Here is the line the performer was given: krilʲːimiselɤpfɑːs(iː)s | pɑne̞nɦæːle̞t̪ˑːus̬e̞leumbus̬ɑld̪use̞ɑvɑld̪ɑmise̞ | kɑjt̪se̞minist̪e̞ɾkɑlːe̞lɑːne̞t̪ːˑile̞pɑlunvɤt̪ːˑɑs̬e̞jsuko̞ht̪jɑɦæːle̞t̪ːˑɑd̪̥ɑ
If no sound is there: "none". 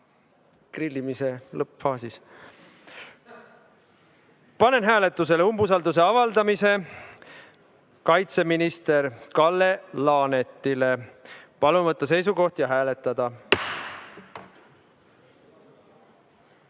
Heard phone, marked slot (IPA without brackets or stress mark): i